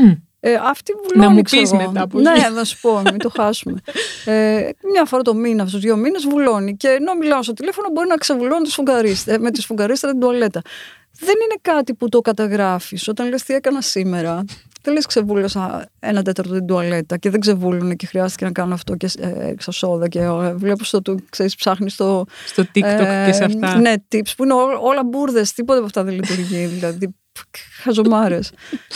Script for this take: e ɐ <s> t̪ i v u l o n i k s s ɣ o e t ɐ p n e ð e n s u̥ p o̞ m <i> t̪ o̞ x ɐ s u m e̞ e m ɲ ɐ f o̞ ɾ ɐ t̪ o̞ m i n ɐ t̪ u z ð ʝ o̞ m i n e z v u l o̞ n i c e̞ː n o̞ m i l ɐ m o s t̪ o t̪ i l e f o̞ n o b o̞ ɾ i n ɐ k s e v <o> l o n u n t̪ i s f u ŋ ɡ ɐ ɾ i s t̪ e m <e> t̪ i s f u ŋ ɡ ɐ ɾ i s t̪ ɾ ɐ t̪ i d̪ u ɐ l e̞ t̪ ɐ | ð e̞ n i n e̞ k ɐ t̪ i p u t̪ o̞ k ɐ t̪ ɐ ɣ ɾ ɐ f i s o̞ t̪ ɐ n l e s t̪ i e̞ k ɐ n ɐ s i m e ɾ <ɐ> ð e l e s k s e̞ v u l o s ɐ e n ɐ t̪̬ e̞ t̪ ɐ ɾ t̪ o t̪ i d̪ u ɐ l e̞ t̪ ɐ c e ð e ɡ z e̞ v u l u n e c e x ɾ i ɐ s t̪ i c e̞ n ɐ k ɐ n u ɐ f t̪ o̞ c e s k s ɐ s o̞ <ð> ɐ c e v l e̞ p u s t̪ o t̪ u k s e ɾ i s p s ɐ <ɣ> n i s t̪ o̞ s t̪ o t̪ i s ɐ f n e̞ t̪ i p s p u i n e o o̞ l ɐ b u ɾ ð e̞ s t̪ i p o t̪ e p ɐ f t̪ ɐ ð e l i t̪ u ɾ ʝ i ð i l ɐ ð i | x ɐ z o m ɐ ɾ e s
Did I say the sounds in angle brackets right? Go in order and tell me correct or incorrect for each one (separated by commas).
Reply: incorrect, correct, incorrect, correct, correct, correct, incorrect